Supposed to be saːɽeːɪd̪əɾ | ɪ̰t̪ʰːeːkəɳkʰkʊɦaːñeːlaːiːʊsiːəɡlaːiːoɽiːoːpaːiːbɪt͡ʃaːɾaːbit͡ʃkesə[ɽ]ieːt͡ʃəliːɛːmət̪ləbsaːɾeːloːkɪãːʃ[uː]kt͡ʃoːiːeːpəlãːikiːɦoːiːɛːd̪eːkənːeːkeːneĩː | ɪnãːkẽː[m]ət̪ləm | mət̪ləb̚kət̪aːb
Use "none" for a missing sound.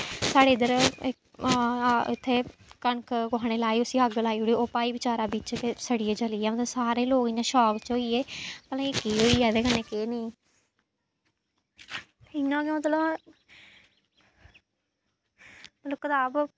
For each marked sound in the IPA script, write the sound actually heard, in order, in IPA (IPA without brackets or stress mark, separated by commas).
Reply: ɽ, ɔː, m